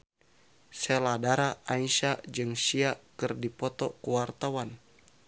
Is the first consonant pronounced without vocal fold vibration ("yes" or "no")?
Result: yes